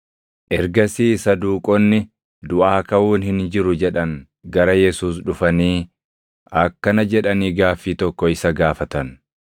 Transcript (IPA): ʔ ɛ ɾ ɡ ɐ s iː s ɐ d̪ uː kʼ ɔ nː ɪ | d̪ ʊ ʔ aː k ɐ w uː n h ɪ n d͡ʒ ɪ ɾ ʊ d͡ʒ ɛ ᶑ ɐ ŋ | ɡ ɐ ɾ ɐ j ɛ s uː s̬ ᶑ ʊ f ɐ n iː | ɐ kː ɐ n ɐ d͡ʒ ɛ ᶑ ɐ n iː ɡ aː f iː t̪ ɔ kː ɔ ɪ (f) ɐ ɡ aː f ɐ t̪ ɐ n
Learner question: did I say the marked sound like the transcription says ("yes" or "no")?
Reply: no